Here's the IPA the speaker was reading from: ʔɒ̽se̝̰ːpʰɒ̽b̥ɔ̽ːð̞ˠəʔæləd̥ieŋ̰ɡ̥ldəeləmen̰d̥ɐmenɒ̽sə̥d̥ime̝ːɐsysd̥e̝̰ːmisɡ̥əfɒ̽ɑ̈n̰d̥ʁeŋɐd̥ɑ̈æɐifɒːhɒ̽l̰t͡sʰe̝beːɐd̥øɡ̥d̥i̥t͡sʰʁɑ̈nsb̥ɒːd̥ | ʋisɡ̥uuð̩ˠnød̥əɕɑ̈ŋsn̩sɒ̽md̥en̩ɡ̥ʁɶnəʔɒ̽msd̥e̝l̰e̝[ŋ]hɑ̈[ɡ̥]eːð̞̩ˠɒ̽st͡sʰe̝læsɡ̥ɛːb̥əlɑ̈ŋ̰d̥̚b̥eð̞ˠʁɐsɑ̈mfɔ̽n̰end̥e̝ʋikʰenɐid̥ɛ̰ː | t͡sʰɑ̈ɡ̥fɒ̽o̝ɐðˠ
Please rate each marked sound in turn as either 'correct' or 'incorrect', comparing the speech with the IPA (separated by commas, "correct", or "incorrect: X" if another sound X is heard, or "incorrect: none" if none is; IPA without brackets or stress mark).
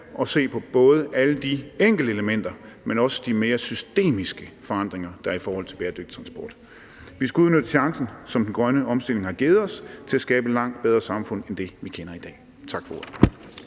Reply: correct, correct